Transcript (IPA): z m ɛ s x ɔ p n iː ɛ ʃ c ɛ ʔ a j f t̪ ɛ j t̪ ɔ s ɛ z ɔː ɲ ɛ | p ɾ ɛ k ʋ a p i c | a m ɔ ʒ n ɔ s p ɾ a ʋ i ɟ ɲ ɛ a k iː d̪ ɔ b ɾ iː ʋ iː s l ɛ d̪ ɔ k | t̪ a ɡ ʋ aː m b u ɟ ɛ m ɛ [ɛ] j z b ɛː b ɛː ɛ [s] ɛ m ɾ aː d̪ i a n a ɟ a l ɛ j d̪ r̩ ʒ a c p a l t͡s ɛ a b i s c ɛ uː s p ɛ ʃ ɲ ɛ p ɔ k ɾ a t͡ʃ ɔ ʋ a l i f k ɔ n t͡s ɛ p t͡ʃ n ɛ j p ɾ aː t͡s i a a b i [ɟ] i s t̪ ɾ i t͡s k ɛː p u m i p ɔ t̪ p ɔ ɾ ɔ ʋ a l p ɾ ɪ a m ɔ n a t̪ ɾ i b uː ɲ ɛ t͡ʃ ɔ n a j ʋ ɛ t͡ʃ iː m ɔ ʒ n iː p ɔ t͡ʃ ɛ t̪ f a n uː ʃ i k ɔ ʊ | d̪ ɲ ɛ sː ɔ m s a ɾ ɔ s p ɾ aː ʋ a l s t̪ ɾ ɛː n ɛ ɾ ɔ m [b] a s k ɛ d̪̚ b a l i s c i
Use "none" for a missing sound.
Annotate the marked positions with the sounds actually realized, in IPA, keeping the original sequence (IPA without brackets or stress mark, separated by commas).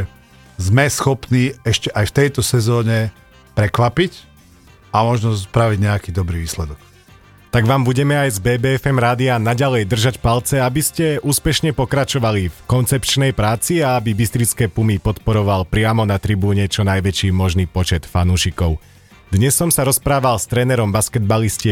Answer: a, f, b, b